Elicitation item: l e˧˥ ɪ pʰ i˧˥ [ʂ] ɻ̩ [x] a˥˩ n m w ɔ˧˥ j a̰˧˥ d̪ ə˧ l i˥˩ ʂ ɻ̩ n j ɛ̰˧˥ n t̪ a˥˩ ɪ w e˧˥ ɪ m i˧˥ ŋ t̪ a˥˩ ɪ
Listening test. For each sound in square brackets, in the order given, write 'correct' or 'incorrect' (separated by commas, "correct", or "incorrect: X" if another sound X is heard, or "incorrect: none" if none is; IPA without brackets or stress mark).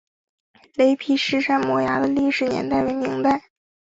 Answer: correct, incorrect: ʂ